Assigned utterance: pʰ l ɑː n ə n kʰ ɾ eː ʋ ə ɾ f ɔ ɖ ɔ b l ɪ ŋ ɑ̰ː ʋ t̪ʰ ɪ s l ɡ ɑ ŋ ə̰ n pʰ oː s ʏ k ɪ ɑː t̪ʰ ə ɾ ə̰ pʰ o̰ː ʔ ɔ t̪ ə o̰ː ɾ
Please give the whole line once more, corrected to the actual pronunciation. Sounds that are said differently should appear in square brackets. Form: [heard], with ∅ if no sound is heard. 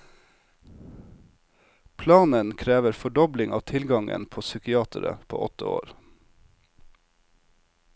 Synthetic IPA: pʰ l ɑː n ə n kʰ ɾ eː ʋ ə ɾ f ɔ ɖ ɔ b l ɪ ŋ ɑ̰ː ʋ t̪ʰ ɪ [∅] l ɡ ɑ ŋ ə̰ n pʰ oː s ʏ k ɪ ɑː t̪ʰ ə ɾ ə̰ pʰ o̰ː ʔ ɔ t̪ ə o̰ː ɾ